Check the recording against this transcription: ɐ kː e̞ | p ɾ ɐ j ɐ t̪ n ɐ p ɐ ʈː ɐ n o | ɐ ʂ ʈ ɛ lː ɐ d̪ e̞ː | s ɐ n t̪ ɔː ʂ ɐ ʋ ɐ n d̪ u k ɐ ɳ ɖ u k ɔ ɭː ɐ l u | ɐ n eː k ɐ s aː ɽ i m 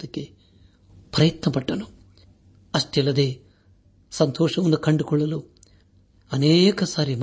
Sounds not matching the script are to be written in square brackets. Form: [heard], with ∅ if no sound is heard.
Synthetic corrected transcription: ɐ kː e̞ | p ɾ ɐ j ɐ t̪ n ɐ p ɐ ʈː ɐ n [u] | ɐ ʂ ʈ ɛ lː ɐ d̪ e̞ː | s ɐ n t̪ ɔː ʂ ɐ ʋ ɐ n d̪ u k ɐ ɳ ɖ u k ɔ ɭː ɐ l u | ɐ n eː k ɐ s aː [ɾ] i m